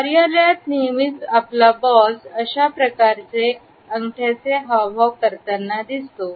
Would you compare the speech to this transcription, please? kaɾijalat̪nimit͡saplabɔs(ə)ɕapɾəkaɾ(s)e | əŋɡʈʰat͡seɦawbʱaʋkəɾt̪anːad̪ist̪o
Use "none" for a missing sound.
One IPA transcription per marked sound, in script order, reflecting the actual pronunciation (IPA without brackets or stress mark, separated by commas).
ə, t͡s